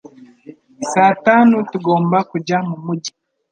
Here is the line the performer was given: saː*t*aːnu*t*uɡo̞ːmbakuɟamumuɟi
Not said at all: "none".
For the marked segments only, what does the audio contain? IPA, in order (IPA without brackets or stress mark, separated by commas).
t, t